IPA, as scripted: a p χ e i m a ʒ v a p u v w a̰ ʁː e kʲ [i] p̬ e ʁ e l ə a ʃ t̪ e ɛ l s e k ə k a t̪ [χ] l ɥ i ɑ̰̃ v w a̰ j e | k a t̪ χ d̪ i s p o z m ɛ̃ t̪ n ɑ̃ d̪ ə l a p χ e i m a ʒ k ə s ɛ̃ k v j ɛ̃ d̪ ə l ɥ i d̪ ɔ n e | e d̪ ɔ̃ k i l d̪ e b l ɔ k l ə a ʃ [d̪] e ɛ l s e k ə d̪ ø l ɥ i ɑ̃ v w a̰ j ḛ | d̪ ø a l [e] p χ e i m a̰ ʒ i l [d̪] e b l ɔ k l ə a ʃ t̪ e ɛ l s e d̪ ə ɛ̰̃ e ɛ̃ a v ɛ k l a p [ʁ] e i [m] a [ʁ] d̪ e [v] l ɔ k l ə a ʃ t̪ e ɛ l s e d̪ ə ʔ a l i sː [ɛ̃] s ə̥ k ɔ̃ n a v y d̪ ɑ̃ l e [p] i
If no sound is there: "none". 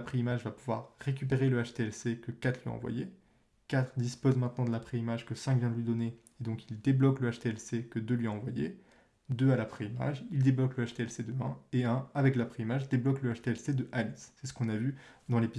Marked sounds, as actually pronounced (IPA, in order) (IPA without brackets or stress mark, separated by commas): y, χ, t̪, a, d̪, χ, m, ʒ, b, ɛ, p